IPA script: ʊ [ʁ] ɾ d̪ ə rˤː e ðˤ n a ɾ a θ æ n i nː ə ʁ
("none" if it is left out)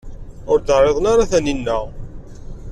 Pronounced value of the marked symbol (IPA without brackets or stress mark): none